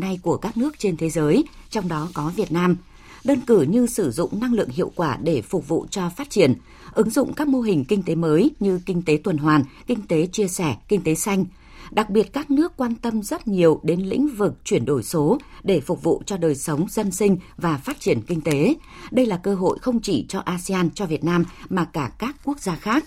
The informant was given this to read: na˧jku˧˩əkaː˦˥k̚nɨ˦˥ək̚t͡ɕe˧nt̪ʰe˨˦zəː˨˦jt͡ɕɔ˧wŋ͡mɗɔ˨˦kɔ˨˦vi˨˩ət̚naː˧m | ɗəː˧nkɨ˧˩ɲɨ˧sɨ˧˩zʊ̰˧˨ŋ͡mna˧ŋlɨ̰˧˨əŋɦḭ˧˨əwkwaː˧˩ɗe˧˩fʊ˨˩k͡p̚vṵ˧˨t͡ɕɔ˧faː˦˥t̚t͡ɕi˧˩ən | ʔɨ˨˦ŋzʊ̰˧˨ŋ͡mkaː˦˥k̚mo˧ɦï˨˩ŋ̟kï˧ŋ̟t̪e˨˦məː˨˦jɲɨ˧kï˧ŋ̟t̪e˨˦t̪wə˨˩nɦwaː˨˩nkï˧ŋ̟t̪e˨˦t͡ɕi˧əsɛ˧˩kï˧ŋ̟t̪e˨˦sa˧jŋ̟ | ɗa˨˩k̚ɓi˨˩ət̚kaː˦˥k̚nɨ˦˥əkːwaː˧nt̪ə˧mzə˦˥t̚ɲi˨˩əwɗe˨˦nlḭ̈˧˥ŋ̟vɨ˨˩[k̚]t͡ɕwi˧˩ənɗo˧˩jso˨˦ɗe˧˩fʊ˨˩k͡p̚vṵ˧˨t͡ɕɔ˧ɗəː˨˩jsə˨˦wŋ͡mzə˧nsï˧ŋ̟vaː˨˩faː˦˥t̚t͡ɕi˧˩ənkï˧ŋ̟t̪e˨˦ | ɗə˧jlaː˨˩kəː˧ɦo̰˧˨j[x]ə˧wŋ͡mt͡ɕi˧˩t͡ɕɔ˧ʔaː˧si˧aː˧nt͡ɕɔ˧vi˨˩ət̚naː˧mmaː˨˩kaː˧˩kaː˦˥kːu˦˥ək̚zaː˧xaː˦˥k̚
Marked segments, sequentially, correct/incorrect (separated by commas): correct, correct